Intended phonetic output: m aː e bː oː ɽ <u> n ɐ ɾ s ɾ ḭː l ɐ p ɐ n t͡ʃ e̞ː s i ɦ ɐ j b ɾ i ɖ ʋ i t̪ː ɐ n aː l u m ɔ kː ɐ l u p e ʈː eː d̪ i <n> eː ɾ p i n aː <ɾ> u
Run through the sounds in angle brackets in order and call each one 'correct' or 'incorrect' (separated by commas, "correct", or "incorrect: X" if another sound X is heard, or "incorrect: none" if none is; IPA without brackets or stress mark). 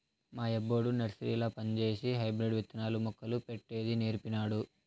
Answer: correct, correct, incorrect: ɽ